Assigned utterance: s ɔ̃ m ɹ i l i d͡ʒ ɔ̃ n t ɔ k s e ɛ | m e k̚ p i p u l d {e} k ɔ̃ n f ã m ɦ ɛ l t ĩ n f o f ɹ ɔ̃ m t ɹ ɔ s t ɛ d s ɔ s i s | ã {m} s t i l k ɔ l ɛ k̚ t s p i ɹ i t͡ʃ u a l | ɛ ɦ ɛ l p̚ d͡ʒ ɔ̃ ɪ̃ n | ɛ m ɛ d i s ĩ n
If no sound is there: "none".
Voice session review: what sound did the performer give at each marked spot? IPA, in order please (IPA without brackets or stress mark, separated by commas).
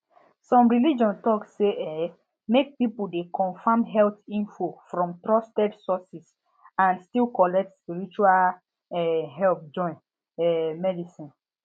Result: e, n